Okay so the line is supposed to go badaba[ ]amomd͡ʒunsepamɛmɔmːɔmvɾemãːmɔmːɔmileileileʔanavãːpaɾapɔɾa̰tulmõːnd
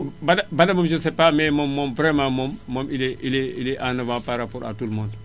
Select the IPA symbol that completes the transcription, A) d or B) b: A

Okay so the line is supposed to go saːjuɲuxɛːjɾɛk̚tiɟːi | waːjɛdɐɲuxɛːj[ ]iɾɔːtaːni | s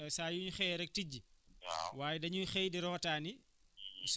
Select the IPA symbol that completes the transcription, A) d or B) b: A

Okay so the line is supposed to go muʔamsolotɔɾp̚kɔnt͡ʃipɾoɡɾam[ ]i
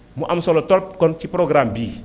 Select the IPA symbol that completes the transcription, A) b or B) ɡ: A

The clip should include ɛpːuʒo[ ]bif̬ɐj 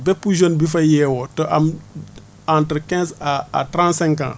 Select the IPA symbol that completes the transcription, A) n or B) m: A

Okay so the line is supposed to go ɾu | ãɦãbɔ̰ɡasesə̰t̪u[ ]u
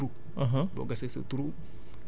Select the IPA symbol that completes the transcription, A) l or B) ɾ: B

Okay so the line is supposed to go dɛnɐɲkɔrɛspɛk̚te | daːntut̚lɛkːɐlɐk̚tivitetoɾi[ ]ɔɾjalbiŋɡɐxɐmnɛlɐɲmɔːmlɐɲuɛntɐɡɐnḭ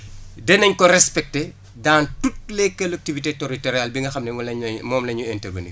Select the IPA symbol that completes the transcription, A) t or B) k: A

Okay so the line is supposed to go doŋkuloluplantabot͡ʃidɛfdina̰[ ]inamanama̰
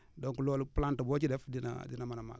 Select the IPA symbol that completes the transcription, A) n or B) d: B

